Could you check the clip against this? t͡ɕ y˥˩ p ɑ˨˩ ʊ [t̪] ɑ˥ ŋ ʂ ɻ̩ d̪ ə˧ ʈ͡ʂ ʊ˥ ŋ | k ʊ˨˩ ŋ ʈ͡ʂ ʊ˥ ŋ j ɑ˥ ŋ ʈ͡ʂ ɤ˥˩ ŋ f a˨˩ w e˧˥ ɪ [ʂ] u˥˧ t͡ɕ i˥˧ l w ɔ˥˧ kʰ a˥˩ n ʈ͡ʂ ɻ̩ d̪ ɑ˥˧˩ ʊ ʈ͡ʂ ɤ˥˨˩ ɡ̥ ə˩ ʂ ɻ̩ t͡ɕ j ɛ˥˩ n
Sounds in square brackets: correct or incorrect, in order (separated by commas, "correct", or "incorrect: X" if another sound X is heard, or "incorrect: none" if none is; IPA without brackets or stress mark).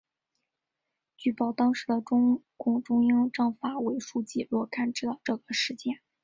correct, correct